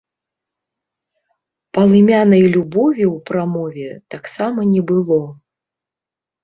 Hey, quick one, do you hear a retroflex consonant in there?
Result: no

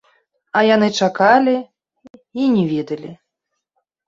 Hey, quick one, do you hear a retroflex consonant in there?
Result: yes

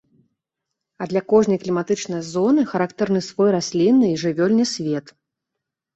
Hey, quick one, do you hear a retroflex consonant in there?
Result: yes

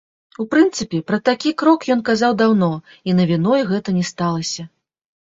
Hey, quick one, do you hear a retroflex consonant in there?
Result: no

